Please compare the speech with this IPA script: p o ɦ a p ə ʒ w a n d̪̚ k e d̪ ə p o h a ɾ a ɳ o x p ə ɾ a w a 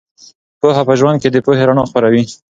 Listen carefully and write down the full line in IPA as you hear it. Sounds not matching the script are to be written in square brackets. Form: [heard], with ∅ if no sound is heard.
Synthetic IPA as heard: p o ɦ a p ə ʒ w a n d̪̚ k e d̪ ə p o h [e] ɾ a ɳ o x p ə ɾ a w [i]